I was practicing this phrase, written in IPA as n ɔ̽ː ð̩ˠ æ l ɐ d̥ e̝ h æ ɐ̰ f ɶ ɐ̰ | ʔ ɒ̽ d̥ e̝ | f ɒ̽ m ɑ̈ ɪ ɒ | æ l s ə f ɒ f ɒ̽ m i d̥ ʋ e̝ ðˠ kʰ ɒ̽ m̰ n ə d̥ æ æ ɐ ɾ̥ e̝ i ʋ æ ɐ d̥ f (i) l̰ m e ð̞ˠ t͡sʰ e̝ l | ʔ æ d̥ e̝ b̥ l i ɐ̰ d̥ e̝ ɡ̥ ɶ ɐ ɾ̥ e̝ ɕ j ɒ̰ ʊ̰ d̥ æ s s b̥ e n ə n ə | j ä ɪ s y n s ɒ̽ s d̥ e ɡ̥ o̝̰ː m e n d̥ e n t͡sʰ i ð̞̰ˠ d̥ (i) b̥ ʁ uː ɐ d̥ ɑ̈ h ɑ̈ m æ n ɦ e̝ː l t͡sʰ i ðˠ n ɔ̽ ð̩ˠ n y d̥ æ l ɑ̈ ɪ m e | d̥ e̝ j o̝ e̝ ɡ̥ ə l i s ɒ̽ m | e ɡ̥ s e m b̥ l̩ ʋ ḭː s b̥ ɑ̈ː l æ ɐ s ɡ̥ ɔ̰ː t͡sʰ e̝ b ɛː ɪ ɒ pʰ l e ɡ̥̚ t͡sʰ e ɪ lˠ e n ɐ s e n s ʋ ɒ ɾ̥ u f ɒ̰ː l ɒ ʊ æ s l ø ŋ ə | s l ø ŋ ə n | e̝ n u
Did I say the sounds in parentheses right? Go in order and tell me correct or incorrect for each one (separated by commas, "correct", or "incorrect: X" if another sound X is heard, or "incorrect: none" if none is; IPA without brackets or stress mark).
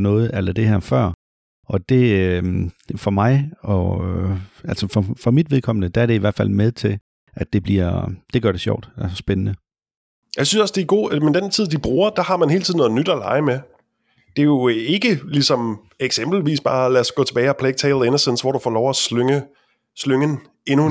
incorrect: æ, correct